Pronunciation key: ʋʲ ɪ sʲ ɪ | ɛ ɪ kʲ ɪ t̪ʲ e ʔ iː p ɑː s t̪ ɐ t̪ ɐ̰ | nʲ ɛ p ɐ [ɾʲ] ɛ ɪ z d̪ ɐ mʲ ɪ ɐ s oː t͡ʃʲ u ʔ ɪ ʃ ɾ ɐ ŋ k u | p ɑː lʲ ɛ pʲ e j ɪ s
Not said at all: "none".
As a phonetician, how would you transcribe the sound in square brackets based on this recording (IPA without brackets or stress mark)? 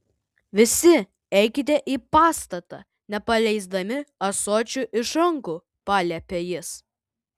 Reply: lʲ